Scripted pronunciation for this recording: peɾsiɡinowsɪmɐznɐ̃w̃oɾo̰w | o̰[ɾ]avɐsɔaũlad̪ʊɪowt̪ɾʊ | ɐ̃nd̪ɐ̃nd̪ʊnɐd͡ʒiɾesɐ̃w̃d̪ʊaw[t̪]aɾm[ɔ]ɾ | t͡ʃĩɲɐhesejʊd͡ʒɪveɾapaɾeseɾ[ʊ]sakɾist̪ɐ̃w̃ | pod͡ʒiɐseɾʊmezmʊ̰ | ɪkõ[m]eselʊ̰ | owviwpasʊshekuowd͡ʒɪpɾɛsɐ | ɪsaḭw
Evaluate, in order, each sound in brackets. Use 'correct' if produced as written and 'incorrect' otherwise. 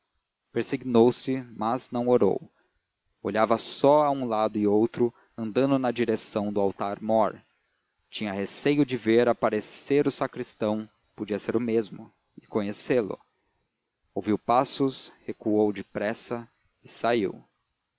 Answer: incorrect: ʎ, correct, correct, correct, incorrect: ɲ

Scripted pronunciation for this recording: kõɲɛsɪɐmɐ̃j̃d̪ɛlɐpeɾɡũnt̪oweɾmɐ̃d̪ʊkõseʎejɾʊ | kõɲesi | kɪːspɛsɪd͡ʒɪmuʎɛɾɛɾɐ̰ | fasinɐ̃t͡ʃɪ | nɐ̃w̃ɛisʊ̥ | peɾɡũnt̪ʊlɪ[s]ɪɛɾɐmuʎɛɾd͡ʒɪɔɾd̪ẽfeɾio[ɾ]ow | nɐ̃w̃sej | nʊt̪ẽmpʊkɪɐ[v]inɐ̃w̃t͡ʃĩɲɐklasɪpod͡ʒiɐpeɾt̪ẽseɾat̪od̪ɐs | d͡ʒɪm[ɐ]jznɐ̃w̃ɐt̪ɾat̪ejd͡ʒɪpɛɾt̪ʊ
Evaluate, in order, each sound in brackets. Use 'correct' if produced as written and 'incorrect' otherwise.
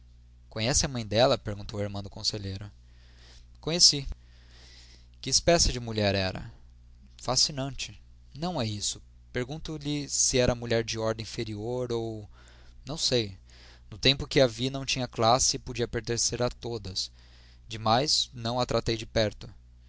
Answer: correct, correct, correct, incorrect: a

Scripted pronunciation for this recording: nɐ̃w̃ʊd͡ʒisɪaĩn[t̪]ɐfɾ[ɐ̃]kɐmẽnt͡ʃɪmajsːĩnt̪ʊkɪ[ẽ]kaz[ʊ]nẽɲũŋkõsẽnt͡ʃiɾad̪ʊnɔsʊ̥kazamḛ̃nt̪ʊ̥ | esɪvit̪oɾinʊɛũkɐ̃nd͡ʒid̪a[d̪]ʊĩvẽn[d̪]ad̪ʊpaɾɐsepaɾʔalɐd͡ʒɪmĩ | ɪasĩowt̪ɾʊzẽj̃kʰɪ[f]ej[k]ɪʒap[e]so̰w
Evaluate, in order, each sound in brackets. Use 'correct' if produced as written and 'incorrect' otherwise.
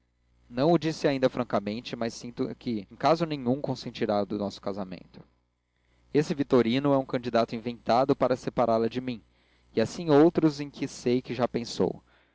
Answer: incorrect: d̪, correct, correct, correct, incorrect: t̪, incorrect: t̪, incorrect: s, correct, incorrect: ẽ

